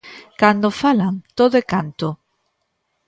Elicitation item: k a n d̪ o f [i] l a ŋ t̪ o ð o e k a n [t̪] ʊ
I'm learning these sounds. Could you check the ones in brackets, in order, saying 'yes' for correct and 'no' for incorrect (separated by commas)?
no, yes